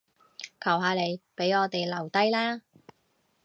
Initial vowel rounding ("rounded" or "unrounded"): unrounded